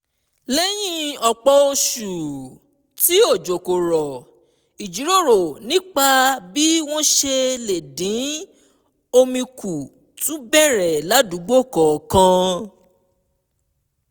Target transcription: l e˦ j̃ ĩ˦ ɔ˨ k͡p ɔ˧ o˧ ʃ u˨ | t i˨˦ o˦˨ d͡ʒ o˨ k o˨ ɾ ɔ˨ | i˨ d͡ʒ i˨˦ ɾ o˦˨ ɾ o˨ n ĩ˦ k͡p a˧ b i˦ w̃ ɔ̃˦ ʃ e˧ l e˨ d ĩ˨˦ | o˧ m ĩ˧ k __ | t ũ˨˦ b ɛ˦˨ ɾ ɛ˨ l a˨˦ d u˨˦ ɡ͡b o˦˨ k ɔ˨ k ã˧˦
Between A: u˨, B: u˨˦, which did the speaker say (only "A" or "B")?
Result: A